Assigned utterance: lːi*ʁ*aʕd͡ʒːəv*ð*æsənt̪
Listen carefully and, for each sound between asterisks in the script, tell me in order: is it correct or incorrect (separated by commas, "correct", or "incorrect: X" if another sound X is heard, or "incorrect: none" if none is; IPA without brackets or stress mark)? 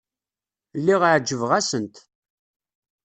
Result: correct, incorrect: ʁ